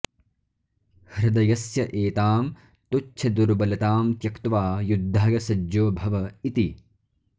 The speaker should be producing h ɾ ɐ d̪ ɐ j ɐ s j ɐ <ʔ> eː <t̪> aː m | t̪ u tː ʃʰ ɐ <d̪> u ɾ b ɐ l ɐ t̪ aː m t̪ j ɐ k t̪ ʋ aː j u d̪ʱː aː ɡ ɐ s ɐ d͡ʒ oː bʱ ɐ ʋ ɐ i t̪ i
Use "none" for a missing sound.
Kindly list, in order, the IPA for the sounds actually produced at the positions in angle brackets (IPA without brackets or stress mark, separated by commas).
ʔ, t̪, d̪